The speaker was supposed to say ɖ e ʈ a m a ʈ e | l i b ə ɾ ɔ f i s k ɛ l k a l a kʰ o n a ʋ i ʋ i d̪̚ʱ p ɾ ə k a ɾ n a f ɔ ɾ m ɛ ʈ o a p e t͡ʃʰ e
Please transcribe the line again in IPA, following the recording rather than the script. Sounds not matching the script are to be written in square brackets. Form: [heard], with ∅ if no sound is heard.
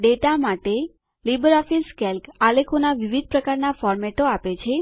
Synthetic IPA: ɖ e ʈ a m a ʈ e | l i b ə ɾ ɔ f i s k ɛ l k a l [e] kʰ o n a ʋ i ʋ i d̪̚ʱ p ɾ ə k a ɾ n a f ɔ ɾ m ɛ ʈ o a p e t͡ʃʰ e